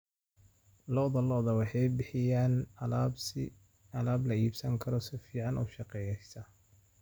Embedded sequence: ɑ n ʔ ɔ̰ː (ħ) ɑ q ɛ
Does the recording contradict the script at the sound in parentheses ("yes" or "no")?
yes